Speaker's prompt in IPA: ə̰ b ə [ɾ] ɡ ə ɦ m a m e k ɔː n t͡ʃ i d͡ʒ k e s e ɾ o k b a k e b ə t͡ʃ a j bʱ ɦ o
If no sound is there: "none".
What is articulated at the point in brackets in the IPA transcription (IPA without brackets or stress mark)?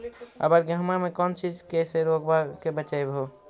ɾ